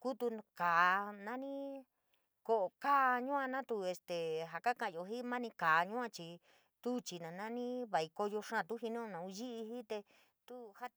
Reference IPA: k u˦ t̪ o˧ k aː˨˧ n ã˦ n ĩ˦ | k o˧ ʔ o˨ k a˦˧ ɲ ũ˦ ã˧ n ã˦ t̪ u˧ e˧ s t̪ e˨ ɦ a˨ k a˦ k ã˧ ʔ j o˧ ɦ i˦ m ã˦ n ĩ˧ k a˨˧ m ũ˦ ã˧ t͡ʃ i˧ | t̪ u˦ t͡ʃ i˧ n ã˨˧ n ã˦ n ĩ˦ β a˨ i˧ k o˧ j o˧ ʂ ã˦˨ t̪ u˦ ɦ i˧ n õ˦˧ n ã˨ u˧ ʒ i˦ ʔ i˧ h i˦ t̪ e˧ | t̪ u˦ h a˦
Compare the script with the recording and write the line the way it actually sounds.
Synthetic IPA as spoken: k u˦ t̪ u˧ k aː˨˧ n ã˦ n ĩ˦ | k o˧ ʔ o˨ k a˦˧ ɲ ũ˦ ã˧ n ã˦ t̪ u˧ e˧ s t̪ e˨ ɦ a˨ k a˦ k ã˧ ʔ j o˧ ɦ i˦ m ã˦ n ĩ˧ k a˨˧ ɲ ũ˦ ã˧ t͡ʃ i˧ | t̪ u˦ t͡ʃ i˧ n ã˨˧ n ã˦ n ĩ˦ β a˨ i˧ k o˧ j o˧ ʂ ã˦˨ t̪ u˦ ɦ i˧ n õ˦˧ n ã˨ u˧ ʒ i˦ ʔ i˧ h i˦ t̪ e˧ | t̪ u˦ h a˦